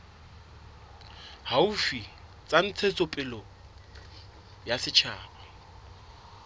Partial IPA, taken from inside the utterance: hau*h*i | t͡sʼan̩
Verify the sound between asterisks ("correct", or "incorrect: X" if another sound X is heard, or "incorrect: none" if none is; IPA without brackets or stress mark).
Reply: incorrect: f